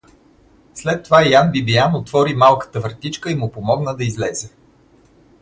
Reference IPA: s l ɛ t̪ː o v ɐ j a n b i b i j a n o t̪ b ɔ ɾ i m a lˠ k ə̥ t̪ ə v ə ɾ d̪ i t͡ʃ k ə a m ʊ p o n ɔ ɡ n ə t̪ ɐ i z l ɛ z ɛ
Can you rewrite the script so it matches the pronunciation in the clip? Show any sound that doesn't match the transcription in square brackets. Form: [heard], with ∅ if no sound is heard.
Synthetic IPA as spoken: s l ɛ t̪ː o v [a] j a n b i b i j a n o t̪ [v] ɔ ɾ i m a lˠ k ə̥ t̪ ə v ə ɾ [t̪] i t͡ʃ k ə [i] m ʊ p o [m] ɔ ɡ n ə [d̪] ɐ i z l ɛ z ɛ